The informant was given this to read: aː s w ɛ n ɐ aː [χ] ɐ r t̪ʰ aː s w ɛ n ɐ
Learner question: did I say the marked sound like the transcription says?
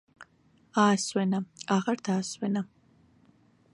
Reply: no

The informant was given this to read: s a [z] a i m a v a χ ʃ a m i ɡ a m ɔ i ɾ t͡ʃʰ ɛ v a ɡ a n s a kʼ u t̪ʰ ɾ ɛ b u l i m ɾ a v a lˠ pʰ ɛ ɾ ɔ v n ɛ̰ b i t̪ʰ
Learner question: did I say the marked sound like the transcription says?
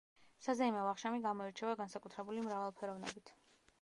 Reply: yes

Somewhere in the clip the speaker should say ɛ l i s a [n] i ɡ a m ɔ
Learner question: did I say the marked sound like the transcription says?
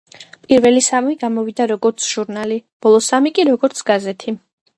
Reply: no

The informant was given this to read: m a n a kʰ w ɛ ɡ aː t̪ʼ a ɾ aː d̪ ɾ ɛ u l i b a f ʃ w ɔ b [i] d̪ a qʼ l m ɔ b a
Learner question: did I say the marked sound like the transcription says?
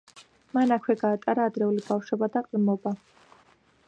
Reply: no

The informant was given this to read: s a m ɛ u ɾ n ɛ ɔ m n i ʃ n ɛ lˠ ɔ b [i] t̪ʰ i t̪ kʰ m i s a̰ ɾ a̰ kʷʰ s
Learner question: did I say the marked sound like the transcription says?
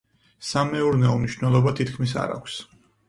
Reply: no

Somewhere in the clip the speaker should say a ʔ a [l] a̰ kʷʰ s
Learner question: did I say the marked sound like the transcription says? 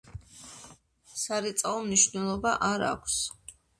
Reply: no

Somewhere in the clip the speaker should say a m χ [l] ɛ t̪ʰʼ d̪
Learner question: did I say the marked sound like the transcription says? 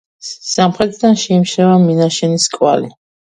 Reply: no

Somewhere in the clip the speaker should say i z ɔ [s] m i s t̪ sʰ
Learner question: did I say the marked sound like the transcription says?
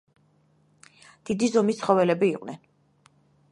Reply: no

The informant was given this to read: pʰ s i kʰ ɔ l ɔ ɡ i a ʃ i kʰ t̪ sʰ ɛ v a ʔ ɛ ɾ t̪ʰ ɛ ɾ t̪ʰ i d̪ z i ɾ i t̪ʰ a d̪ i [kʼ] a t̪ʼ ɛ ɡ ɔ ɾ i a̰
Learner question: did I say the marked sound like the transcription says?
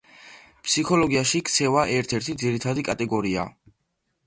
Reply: yes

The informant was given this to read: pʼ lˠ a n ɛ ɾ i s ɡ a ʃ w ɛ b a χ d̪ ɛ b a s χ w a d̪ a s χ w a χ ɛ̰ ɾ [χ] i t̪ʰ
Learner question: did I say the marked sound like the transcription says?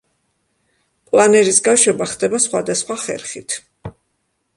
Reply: yes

